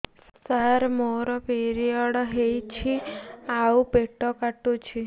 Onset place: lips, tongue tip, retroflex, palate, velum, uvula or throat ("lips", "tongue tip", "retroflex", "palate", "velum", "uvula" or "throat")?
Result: tongue tip